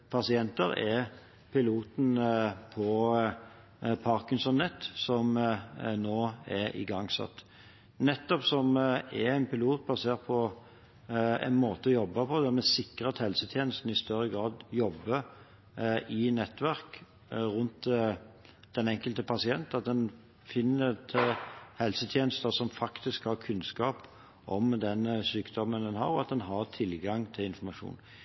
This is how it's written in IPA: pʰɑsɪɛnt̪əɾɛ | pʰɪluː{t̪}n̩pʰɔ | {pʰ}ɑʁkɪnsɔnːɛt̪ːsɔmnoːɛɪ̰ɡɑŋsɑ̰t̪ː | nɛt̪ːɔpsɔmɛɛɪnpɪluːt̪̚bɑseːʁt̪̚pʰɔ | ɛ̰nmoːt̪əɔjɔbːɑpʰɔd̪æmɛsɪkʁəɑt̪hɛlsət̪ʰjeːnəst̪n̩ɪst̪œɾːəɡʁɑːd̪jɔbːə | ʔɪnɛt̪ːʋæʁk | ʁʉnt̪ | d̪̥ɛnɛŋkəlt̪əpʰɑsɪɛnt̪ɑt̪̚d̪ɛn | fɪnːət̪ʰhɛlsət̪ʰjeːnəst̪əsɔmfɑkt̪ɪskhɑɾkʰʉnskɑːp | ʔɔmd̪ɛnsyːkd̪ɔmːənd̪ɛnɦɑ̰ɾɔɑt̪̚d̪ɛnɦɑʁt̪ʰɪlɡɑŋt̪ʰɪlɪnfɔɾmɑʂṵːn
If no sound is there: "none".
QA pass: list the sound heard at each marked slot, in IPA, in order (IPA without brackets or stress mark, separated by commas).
t̪, pʰ